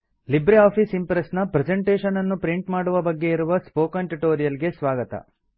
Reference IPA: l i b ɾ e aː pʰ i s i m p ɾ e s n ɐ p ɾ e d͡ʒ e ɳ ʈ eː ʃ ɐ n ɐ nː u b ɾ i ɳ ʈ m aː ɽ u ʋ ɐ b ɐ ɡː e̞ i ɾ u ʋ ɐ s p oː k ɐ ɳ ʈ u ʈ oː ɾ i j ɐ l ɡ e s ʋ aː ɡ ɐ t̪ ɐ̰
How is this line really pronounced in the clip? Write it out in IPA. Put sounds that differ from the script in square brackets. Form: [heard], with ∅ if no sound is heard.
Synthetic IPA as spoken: l i b ɾ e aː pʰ i s i m p ɾ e s n ɐ p ɾ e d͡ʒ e ɳ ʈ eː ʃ ɐ n ɐ nː u [p] ɾ i ɳ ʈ m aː ɽ u ʋ ɐ b ɐ ɡː e̞ i ɾ u ʋ ɐ s p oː k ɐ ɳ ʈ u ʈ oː ɾ i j ɐ l ɡ e s ʋ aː ɡ ɐ t̪ ɐ̰